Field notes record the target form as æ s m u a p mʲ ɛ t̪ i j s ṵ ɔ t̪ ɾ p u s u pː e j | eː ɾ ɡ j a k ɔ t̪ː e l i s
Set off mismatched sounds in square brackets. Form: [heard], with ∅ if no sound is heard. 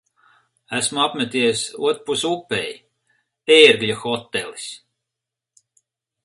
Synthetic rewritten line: æ s m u a p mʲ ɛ t̪ i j s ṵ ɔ t̪ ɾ p u s u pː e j | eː ɾ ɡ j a [x] ɔ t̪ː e l i s